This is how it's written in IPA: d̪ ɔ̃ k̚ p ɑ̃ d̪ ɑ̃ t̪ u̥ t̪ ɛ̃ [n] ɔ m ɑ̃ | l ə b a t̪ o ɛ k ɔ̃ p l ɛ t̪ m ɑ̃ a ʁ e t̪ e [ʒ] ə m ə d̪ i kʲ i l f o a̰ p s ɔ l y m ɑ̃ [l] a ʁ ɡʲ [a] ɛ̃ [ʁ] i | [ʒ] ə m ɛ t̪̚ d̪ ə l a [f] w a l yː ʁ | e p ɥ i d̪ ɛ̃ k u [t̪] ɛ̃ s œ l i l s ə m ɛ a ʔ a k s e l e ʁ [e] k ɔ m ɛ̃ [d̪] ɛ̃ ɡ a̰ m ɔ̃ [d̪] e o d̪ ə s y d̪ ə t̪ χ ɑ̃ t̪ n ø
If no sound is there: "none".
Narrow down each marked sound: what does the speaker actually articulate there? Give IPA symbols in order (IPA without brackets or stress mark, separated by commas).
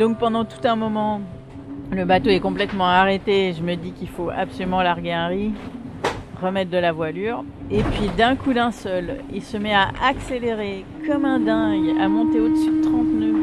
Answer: m, ʒ, l, e, ʁ, ʁ, v, d̪, e, d̪, t̪